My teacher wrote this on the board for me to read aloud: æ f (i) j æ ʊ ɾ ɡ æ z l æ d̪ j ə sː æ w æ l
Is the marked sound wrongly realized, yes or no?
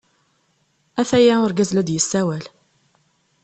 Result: yes